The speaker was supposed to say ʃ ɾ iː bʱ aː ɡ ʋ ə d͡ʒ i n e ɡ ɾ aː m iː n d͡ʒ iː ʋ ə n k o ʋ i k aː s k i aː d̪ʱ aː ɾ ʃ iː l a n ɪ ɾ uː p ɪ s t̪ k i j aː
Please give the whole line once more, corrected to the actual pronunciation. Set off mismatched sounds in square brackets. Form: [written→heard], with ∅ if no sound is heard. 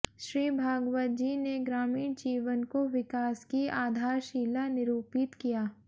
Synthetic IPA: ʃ ɾ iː bʱ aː ɡ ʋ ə d͡ʒ i n e ɡ ɾ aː m iː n d͡ʒ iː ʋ ə n k o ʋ [i→ɪ] k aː s k i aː d̪ʱ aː ɾ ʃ iː l a n ɪ ɾ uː p ɪ [s→∅] t̪ k i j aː